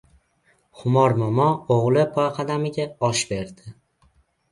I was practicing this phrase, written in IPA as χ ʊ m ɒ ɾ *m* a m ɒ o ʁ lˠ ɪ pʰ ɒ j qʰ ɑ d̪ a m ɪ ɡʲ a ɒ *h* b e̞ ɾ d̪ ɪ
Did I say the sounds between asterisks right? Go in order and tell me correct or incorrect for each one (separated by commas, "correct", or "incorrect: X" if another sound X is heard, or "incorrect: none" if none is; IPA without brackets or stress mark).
correct, incorrect: ʃ